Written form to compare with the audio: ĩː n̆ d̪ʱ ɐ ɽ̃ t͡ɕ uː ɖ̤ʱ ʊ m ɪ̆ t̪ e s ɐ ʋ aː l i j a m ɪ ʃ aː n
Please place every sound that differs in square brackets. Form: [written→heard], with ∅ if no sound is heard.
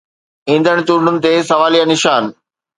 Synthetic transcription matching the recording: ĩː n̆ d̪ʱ [ɐ→ə] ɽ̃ t͡ɕ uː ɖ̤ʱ ʊ [m→n] ɪ̆ t̪ e s ɐ ʋ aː l i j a [m→n] ɪ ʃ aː n